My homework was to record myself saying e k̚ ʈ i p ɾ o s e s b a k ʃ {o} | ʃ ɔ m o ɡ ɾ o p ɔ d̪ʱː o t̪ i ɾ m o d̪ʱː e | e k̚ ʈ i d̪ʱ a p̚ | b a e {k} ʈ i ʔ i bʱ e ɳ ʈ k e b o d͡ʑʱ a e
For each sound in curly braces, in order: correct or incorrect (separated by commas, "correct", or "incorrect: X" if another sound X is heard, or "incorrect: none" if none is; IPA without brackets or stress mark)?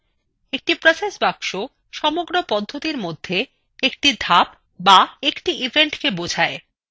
correct, correct